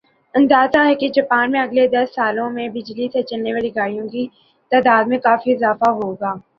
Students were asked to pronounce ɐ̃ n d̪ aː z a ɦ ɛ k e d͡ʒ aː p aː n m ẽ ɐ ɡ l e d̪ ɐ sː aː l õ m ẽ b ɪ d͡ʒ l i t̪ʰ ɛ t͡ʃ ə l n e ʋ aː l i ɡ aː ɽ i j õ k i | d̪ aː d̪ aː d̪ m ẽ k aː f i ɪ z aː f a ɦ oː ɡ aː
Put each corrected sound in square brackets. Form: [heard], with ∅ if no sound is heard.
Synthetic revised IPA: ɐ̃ n d̪ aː z a ɦ ɛ k e d͡ʒ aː p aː n m ẽ ɐ ɡ l e d̪ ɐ sː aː l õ m ẽ b ɪ d͡ʒ l i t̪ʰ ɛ t͡ʃ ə l n e ʋ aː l i ɡ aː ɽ i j õ k i | [t̪] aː d̪ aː d̪ m ẽ k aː f i ɪ z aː f a ɦ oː ɡ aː